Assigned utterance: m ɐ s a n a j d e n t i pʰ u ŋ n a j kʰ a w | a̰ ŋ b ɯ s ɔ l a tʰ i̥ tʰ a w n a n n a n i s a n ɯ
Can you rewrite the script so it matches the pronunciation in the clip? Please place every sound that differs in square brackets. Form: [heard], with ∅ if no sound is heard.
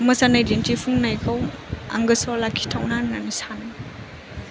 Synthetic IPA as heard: m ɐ s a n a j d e n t i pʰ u ŋ n a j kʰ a w | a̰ ŋ [ɡ] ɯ s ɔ l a [kʰ] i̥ tʰ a w n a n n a n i s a n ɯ